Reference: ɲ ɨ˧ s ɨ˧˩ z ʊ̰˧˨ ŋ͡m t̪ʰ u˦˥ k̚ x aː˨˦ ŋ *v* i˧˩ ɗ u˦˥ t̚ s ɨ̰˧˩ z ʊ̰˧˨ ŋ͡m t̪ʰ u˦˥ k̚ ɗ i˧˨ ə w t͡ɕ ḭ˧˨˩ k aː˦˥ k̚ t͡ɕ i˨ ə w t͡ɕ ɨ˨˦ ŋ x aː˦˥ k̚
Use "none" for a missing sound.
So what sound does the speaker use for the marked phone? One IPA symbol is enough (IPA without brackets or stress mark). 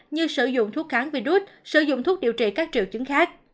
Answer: v